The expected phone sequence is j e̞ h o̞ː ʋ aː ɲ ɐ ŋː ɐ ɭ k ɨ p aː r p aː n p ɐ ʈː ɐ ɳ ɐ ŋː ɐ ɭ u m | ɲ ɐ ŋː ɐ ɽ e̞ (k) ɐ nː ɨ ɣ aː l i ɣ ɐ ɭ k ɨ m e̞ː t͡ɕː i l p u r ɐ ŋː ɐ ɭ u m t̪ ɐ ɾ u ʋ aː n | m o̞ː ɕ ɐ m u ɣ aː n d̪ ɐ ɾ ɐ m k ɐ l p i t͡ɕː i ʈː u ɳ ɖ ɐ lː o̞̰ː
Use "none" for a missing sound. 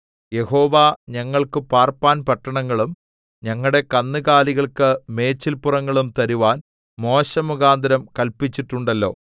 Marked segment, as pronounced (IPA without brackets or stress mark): k